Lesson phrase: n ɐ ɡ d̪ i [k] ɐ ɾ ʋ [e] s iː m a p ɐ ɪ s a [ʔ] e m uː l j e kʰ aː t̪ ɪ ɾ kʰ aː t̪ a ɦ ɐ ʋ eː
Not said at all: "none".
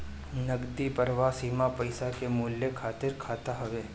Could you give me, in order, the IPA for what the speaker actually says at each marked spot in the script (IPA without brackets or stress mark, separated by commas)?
p, a, k